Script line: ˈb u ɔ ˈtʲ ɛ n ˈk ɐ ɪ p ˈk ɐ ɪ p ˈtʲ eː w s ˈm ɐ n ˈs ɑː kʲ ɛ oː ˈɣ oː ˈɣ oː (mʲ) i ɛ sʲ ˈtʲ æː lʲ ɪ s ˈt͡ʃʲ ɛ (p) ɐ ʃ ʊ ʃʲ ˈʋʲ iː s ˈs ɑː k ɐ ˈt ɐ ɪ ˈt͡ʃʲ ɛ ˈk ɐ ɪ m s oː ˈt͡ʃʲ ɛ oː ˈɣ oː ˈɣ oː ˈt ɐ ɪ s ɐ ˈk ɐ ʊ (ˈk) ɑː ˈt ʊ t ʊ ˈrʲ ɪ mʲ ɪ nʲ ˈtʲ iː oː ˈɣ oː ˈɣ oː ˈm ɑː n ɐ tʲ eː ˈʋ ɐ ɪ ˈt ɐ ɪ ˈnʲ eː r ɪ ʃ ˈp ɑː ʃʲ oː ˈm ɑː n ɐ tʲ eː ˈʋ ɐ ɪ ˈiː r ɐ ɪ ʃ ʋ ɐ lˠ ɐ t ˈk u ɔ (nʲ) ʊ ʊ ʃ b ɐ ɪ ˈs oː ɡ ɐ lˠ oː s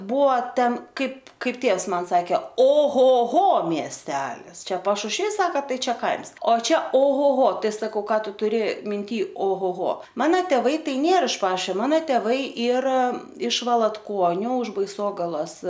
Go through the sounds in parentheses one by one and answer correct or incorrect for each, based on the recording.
correct, correct, correct, correct

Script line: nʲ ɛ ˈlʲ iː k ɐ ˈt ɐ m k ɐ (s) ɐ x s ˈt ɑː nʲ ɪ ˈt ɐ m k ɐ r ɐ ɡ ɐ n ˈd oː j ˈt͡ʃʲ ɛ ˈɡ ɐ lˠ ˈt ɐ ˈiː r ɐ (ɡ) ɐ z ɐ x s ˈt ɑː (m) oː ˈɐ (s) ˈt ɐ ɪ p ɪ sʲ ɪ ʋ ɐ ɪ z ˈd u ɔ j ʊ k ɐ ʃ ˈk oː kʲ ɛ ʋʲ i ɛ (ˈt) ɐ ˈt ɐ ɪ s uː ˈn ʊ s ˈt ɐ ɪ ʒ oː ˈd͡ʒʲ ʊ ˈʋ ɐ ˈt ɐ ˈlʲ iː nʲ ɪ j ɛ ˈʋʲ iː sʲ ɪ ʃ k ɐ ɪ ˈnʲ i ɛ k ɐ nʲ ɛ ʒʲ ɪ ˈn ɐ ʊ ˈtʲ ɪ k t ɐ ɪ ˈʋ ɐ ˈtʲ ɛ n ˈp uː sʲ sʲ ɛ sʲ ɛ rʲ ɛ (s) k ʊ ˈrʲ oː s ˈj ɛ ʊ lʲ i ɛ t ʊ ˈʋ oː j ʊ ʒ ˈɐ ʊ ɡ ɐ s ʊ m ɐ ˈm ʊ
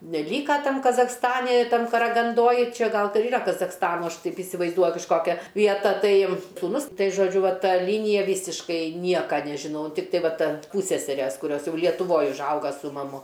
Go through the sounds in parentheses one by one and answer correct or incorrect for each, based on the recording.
incorrect: z, incorrect: k, incorrect: n, incorrect: ʃ, correct, correct

